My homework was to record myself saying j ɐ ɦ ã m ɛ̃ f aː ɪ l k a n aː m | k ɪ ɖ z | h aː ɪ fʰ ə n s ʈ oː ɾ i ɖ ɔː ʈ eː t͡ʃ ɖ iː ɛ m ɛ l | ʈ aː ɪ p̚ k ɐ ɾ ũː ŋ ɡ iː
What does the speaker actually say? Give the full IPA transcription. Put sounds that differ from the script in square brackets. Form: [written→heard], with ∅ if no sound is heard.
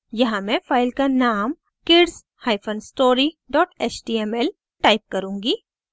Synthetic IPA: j ɐ ɦ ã m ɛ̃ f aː ɪ l k a n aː m | k ɪ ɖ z | h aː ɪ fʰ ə n s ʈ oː ɾ i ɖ ɔː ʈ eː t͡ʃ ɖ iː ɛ m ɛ l | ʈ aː ɪ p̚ k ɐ ɾ ũː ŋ ɡ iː